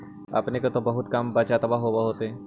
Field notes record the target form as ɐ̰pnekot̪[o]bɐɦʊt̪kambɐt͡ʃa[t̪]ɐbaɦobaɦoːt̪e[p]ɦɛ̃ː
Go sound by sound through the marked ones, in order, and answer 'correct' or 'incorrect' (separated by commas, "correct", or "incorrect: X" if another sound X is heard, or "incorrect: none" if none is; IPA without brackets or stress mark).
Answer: correct, correct, incorrect: none